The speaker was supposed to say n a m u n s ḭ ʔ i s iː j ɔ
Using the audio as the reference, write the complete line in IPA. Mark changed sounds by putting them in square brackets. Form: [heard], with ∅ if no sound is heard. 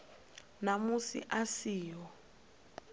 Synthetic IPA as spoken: n a m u [∅] s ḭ ʔ [a] s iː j ɔ